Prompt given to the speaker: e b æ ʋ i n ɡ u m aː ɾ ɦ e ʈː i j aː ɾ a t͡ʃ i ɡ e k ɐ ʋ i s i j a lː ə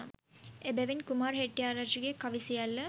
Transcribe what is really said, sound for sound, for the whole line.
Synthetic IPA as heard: e b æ ʋ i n k u m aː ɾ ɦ e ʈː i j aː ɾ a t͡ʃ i ɡ e k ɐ ʋ i s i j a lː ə

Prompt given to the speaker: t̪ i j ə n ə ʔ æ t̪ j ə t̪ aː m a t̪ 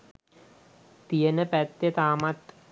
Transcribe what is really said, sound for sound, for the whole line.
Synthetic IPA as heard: t̪ i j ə n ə p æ t̪ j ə t̪ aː m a t̪

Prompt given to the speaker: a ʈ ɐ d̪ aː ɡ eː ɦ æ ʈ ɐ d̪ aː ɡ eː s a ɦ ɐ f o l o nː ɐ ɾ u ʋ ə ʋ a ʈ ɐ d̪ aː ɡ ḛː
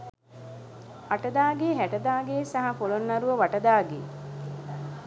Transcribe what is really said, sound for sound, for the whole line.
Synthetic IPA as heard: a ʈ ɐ d̪ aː ɡ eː ɦ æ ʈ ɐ d̪ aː ɡ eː s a ɦ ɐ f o l o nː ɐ ɾ u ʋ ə ʋ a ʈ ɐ d̪ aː ɡ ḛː

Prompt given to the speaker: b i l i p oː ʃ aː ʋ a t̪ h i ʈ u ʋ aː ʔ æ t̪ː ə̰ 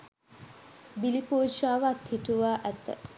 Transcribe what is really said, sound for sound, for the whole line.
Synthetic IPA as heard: b i l i p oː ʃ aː ʋ a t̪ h i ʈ u ʋ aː ʔ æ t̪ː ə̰

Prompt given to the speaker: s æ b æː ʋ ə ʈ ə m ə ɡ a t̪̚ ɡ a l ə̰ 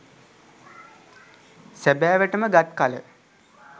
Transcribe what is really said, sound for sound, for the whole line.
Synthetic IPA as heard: s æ b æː ʋ ə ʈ ə m ə ɡ a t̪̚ k a l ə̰

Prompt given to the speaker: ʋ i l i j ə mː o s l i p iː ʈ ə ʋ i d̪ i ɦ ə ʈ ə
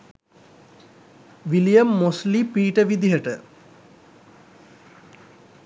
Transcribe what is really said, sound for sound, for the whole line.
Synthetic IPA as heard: ʋ i l i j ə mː o s l i p iː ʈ ə ʋ i d̪ i ɦ ə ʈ ə

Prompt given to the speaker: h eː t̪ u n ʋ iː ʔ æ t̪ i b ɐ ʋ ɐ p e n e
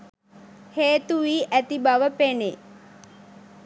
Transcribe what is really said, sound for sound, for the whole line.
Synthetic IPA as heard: h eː t̪ u ʋ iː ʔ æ t̪ i b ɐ ʋ ə p e n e

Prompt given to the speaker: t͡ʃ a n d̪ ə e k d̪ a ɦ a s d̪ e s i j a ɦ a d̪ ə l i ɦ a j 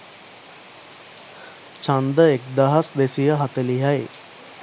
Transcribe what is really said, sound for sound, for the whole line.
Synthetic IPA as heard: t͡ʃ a n d̪ ə e k d̪ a ɦ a s d̪ e s i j ə ɦ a t̪ ə l i ɦ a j

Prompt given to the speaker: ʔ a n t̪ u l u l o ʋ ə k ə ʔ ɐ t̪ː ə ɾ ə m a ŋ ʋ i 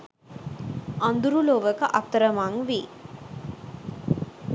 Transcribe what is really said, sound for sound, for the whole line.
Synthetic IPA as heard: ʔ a n d̪ u ɾ u l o ʋ ə k ə ʔ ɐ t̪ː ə ɾ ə m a ŋ ʋ i

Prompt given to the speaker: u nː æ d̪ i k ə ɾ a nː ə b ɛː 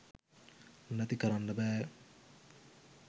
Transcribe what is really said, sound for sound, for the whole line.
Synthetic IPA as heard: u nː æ t̪ i k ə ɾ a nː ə b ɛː

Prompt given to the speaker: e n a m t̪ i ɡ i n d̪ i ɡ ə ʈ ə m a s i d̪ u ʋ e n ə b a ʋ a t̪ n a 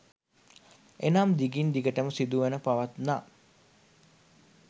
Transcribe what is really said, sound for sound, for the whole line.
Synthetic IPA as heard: e n a m d̪ i ɡ i n d̪ i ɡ ə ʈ ə m ə s i d̪ u ʋ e n ə p a ʋ a t̪ n a

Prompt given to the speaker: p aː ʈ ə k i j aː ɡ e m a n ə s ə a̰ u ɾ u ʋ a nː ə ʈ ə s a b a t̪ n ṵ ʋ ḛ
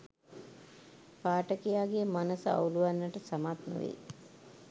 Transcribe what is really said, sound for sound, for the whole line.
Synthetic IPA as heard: p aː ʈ ə k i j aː ɡ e m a n ə s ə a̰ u l u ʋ a nː ə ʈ ə s a m a t̪ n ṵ ʋ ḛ

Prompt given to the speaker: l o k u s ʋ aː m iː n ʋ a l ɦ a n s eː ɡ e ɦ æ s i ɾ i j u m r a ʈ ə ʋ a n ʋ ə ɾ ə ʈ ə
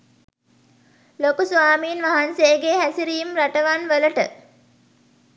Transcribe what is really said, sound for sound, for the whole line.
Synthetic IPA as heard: l o k u s ʋ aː m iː n ʋ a ɦ a n s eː ɡ e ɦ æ s i ɾ i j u m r a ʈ ə ʋ a n ʋ ə l ə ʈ ə

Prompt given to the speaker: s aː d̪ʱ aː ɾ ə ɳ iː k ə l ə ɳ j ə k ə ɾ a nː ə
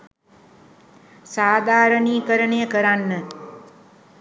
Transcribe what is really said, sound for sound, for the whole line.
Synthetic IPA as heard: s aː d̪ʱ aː ɾ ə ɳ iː k ə ɾ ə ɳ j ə k ə ɾ a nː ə

